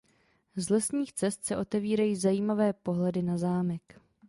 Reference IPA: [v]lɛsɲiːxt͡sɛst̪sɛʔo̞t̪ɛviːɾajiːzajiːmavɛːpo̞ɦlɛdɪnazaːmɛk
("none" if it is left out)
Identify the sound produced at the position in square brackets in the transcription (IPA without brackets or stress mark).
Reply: z